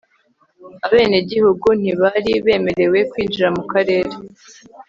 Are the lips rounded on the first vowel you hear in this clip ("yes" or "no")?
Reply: no